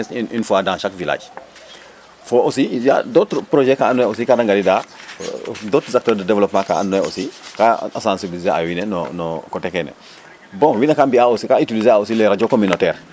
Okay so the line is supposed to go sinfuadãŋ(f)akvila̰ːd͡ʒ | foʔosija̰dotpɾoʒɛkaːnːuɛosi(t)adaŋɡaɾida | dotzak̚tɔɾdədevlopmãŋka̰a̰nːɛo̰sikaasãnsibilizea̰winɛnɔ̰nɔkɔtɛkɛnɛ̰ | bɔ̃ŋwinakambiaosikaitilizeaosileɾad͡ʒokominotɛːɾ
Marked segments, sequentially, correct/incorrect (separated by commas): incorrect, incorrect